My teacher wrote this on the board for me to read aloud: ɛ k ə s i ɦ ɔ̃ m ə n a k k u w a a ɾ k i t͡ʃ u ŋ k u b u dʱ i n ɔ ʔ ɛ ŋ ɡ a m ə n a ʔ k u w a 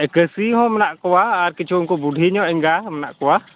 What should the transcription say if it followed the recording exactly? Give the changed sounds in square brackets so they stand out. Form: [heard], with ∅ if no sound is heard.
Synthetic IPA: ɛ k ə s i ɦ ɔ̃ m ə n a [ʔ] k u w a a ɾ k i t͡ʃ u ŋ k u b u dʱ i [ɲ] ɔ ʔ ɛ ŋ ɡ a m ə n a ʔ k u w a